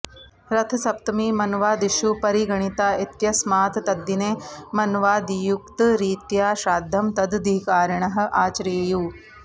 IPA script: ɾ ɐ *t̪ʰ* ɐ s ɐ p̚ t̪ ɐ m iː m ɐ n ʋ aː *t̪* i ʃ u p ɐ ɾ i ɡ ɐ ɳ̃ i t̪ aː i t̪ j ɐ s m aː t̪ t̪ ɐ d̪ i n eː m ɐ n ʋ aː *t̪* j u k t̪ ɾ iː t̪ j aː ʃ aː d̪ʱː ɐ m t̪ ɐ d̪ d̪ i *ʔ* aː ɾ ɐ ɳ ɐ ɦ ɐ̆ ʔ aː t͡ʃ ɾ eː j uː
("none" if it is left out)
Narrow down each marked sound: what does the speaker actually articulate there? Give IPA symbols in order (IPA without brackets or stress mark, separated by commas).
t̪ʰ, d̪, d̪, k